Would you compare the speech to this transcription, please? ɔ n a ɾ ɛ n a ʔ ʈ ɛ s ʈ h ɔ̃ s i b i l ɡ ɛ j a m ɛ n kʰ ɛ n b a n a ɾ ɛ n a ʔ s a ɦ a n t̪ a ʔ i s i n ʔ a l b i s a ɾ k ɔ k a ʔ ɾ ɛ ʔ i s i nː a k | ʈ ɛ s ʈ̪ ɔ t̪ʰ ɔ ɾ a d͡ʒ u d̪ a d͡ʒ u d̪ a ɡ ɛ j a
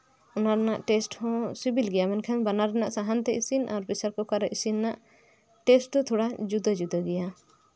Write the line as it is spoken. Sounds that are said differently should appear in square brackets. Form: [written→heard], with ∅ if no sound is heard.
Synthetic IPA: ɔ n a ɾ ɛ n a ʔ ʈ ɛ s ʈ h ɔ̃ s i b i l ɡ ɛ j a m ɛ n kʰ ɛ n b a n a ɾ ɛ n a ʔ s a ɦ a n t̪ [a→ɛ] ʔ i s i n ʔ a [l→ɾ] b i s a ɾ k ɔ k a [ʔ→∅] ɾ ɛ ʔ i s i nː a [k→ʔ] | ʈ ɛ s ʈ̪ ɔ t̪ʰ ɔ [ɾ→ɽ] a d͡ʒ u d̪ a d͡ʒ u d̪ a ɡ ɛ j a